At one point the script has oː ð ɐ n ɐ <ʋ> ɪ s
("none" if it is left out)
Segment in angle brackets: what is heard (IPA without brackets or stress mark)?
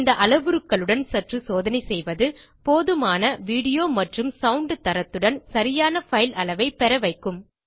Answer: none